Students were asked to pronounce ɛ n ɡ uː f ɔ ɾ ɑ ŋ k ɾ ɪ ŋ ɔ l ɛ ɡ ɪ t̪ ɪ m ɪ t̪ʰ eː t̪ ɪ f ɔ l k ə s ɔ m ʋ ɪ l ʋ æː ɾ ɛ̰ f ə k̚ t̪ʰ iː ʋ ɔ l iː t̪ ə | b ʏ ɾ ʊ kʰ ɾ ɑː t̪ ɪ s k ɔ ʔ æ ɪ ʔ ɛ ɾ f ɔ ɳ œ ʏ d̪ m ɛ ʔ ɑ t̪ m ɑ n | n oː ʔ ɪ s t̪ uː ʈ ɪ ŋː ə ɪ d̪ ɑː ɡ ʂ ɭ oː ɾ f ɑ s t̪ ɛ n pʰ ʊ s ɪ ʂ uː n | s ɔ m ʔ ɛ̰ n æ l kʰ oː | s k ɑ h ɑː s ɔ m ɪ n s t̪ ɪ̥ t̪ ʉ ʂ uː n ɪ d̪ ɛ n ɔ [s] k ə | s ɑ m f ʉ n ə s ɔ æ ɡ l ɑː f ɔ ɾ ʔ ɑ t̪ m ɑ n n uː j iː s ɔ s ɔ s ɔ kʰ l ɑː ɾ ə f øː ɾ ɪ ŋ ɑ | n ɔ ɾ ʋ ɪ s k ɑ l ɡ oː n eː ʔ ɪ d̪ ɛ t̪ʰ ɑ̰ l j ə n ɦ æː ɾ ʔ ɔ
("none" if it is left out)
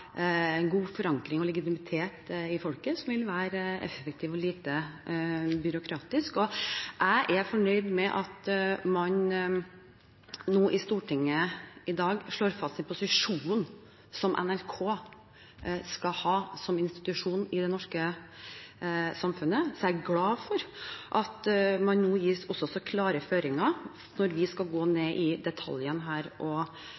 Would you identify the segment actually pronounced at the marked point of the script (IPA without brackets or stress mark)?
ʂ